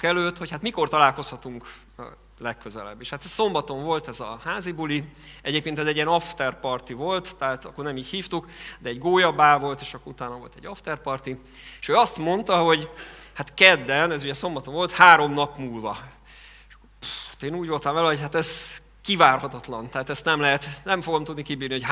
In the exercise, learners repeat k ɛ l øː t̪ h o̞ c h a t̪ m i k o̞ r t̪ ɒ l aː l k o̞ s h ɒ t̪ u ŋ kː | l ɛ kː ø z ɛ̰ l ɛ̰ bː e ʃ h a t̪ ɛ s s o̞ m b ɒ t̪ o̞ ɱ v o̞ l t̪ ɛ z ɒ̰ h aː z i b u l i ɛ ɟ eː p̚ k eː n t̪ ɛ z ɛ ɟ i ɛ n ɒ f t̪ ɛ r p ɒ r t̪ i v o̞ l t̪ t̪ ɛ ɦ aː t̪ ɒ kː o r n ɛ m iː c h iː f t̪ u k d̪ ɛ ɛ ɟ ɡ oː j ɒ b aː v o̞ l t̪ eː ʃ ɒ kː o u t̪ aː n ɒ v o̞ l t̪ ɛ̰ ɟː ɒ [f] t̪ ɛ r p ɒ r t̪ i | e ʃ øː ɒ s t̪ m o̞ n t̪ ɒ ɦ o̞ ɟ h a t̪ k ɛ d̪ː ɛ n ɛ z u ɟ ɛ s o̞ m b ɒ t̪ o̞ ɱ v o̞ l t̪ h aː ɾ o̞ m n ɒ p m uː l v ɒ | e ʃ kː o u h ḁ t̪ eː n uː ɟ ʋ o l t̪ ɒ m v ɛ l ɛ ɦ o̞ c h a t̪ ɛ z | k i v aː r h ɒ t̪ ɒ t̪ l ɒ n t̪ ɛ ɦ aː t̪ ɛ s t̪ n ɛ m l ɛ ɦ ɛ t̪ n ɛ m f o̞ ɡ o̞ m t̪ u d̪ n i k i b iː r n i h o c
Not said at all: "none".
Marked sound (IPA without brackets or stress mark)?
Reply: f